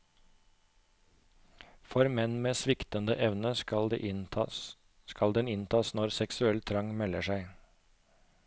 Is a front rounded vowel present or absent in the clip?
absent